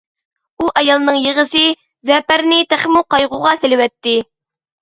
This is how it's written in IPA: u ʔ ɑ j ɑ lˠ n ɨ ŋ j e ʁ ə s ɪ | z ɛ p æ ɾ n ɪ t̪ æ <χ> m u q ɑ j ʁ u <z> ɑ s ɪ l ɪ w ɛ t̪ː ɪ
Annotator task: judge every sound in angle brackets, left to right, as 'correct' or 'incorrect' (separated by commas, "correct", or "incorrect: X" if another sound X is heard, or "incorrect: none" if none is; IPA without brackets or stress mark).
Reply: correct, incorrect: ʁ